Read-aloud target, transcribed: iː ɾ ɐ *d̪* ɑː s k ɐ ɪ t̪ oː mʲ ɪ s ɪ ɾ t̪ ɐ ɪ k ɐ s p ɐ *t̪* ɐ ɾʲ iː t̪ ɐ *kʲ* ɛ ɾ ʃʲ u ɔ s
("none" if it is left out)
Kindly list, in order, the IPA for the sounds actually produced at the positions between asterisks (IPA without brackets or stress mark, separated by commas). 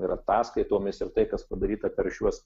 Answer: t̪, d̪, pʲ